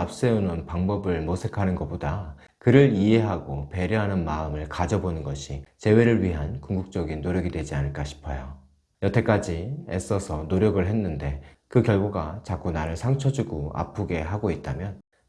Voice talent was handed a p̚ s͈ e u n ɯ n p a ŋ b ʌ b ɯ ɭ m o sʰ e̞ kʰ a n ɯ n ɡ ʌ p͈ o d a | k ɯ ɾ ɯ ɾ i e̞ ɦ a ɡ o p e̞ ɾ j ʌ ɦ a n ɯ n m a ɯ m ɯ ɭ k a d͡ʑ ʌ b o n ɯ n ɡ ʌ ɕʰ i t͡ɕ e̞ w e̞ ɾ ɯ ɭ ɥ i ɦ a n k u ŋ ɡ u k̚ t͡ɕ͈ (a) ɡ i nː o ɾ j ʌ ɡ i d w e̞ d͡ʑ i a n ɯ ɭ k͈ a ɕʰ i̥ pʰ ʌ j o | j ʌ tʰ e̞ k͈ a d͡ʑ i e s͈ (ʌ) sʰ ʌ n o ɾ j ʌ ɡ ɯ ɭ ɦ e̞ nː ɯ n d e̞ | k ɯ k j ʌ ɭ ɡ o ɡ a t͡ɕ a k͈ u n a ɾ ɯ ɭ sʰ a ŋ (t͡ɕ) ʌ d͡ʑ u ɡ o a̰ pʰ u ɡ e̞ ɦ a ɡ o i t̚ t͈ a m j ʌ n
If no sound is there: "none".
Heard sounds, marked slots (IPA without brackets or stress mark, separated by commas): ʌ, ʌ, t͡ɕʰ